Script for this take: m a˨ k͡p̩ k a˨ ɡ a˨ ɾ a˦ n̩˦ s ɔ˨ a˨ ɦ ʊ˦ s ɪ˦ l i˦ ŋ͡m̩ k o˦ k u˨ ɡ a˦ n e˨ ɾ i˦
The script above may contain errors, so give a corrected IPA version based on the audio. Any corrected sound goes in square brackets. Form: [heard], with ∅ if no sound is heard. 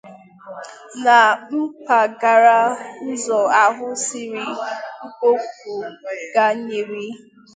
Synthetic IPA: [n] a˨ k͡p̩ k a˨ ɡ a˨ ɾ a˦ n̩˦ [z] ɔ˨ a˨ ɦ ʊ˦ s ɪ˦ [ɾ] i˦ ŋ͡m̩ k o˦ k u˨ ɡ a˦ [ɲ] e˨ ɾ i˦